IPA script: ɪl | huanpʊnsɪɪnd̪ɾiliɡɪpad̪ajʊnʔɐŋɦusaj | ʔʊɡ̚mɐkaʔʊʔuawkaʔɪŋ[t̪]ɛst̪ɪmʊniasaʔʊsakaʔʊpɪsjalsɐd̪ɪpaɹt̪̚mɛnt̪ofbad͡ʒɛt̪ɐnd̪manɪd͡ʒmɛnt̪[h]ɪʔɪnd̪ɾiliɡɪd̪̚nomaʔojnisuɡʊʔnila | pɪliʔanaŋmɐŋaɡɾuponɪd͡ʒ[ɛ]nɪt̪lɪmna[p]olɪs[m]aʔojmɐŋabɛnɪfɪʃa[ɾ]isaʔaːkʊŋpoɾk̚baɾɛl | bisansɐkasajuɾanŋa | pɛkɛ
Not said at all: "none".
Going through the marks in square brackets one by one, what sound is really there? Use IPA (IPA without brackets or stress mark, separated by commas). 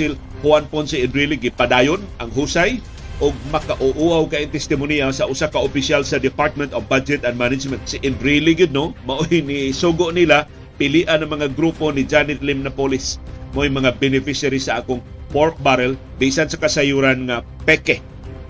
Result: t̪, s, a, p, m, ɾ